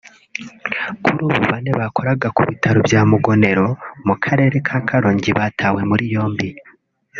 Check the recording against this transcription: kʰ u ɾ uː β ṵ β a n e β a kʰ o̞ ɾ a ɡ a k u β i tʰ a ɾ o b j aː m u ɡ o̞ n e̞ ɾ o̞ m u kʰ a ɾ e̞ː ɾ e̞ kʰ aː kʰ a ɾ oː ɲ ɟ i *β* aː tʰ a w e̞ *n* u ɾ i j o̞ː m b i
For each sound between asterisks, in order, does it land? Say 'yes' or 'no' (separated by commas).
yes, no